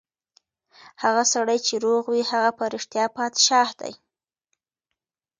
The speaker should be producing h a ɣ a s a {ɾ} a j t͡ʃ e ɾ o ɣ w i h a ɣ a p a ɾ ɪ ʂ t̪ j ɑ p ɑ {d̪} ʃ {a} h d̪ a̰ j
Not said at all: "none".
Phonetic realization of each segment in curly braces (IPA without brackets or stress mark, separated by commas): ɽ, t̪, ɑ